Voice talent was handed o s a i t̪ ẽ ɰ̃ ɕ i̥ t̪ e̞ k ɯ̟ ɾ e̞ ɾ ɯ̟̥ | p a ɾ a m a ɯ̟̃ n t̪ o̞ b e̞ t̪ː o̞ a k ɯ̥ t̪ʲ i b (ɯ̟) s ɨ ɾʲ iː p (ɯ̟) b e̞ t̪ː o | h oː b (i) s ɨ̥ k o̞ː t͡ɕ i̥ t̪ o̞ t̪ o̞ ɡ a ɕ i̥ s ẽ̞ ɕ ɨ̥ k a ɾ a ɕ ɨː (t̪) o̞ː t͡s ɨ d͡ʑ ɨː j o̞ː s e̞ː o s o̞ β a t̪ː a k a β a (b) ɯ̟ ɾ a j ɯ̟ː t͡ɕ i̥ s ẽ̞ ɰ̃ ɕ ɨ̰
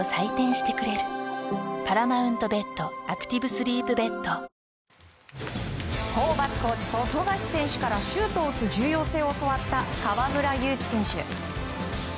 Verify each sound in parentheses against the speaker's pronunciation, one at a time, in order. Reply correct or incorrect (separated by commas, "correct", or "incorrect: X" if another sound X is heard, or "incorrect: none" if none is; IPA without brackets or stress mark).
correct, correct, incorrect: a, correct, incorrect: m